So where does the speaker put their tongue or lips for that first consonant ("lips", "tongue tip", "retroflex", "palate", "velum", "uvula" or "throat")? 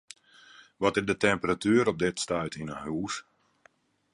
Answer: lips